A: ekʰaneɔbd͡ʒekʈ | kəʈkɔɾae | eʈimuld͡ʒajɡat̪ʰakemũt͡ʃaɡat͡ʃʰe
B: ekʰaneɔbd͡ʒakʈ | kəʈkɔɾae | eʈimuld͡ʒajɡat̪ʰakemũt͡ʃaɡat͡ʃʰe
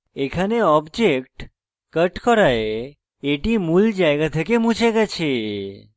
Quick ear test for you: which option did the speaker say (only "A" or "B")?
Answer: A